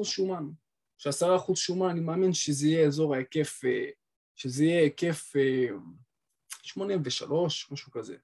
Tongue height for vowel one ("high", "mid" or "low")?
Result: high